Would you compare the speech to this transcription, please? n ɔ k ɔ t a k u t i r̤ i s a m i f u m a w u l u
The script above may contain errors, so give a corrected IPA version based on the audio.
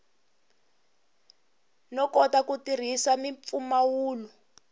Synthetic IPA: n ɔ k ɔ t a k u t i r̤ i s a m i f u m a w uː l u